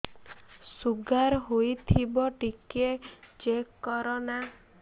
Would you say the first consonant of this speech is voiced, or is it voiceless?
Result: voiceless